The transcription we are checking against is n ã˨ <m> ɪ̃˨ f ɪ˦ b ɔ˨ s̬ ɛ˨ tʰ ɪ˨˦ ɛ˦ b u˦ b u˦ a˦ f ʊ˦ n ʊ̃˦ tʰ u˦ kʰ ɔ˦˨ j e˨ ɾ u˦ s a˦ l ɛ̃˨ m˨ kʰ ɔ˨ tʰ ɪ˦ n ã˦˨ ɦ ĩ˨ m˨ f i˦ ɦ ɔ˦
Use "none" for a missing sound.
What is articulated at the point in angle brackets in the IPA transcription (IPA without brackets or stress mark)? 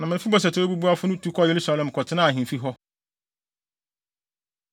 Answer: m